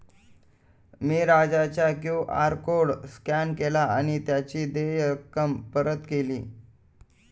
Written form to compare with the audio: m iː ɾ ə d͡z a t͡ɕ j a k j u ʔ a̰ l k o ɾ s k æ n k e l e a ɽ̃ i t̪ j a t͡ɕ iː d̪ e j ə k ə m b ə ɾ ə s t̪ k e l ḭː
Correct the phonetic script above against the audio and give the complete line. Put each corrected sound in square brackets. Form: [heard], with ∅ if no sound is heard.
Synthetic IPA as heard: m iː ɾ [a] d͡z a t͡ɕ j a k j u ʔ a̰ [ɾ] k o [ɽ] s k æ n k e l [a] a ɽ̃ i t̪ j a t͡ɕ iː d̪ e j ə k ə m [p] ə ɾ ə [∅] t̪ k e l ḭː